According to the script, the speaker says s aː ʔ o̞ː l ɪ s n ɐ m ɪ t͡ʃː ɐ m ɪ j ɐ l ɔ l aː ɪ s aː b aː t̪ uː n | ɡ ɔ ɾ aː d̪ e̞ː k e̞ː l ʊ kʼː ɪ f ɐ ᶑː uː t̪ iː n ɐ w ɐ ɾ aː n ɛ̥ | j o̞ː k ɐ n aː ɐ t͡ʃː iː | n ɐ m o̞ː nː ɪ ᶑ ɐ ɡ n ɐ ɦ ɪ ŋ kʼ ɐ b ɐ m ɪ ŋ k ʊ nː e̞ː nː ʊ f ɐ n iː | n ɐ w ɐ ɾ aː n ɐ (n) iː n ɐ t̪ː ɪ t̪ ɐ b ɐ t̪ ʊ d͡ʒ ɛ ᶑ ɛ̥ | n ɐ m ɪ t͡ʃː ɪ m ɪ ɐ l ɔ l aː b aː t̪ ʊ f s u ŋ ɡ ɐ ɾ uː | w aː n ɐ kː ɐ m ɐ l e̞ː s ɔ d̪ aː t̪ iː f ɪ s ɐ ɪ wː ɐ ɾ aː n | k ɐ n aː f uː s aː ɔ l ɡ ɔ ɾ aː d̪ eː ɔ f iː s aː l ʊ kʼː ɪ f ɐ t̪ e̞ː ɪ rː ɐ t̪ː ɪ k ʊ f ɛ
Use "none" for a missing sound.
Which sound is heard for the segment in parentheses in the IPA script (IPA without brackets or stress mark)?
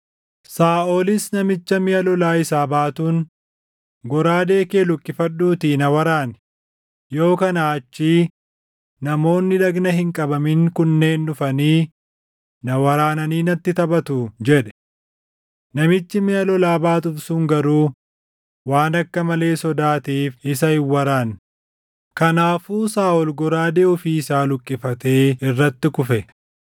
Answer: n